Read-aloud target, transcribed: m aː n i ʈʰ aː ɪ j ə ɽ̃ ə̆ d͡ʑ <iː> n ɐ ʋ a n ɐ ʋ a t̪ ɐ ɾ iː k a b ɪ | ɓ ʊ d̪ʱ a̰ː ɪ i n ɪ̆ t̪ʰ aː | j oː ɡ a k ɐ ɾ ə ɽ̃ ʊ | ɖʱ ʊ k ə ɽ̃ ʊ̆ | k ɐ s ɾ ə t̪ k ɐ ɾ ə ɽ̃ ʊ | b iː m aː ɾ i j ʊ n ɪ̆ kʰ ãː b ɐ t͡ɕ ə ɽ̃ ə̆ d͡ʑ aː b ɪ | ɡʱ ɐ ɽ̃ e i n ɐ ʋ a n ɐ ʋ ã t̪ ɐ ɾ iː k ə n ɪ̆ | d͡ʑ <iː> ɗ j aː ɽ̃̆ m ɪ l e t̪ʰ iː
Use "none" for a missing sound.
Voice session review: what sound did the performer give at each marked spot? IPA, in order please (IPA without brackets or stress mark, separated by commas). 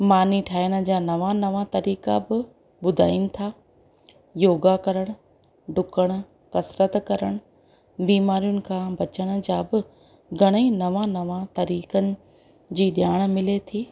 aː, iː